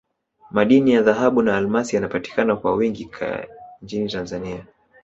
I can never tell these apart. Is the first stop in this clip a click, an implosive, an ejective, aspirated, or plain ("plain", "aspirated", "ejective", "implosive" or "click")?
implosive